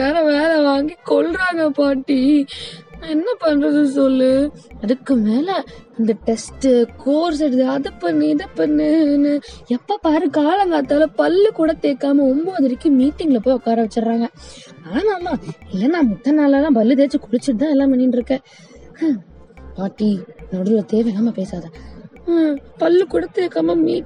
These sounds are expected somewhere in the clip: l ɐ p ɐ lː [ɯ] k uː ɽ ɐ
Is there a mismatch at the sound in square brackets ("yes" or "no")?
no